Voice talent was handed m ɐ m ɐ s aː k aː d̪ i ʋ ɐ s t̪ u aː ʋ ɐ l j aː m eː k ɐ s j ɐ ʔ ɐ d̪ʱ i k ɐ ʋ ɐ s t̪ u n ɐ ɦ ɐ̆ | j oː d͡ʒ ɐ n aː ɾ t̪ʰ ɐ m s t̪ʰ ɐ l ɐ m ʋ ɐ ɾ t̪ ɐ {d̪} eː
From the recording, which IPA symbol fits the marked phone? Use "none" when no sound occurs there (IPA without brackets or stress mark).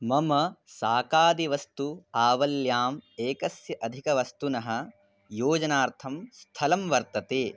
t̪